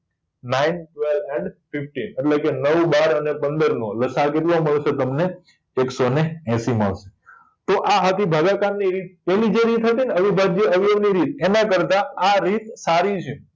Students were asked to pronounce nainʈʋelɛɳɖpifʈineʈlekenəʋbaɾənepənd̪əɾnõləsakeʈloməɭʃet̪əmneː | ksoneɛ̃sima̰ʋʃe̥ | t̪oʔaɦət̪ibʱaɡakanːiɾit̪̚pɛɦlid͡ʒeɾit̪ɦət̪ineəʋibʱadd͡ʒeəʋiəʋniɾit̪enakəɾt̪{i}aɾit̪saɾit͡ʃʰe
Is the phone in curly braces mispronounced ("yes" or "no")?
yes